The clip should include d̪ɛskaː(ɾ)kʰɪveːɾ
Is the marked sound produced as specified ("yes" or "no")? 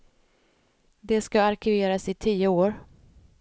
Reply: yes